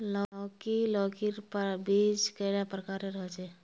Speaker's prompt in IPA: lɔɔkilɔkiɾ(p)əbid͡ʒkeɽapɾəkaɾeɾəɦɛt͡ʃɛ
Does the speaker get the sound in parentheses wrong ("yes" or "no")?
no